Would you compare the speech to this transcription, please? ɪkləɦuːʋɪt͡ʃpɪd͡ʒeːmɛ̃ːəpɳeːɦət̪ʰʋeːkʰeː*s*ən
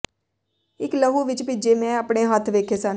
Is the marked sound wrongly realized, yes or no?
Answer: no